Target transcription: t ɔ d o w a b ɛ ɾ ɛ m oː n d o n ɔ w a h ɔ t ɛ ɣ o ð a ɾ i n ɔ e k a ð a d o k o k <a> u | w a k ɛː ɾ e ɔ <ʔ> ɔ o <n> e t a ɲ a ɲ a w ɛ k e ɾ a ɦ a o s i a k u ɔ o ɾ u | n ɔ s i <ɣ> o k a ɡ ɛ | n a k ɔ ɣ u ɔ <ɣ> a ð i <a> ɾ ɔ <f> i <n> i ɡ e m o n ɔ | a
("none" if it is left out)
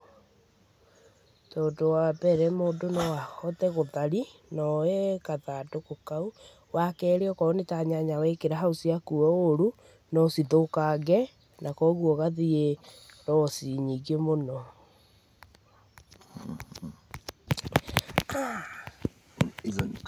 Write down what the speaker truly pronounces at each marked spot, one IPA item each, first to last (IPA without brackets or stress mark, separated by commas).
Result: a, k, n, ð, ɣ, e, s, ɲ